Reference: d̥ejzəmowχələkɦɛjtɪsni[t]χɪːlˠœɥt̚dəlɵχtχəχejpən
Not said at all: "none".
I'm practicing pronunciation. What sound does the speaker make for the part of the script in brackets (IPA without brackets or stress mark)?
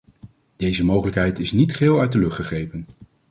t